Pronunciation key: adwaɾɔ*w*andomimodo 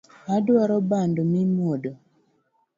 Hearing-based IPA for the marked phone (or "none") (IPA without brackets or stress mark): b